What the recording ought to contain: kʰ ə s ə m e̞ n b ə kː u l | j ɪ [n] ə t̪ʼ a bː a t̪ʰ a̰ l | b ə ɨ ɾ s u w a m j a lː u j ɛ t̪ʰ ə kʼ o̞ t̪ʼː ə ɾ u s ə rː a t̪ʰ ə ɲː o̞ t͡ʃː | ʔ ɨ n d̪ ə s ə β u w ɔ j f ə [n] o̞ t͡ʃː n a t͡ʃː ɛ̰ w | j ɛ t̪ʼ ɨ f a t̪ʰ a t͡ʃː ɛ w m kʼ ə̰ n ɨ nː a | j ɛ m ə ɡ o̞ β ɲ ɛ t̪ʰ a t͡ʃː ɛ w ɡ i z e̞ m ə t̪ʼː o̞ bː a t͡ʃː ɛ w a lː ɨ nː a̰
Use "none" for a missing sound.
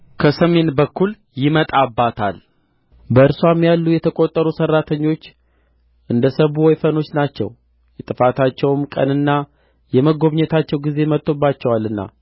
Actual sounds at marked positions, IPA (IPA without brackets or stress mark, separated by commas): m, n